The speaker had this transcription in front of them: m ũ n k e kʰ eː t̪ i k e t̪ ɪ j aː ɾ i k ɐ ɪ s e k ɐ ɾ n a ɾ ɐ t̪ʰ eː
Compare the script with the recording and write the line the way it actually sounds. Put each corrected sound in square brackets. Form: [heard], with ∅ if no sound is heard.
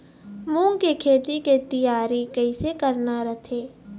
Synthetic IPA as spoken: m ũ [ŋ] k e kʰ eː t̪ i k e t̪ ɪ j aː ɾ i k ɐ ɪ s e k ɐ ɾ n a ɾ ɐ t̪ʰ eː